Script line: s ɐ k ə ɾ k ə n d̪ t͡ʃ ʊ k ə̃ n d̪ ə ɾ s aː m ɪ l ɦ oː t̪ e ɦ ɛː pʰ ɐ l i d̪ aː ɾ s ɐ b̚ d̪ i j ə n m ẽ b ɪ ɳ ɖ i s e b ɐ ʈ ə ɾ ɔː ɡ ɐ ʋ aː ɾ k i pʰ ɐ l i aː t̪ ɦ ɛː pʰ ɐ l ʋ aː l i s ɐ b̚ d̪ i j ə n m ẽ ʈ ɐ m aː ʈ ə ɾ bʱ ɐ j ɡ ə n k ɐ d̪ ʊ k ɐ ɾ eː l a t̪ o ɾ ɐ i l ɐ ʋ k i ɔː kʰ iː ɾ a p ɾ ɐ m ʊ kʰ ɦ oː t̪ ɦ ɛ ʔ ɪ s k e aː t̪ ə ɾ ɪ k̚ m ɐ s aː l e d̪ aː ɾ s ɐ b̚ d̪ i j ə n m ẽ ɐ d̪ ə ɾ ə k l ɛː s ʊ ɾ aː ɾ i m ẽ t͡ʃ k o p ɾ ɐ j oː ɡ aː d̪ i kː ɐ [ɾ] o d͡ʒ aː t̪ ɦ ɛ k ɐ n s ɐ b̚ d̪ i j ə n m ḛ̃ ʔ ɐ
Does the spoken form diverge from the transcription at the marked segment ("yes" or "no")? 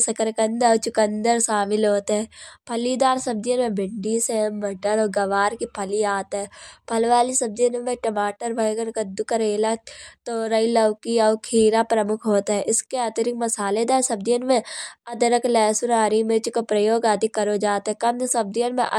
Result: no